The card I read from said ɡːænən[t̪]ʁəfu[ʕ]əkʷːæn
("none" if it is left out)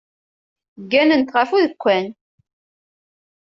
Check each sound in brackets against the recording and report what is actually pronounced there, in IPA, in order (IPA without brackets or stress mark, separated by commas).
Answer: t̪, ð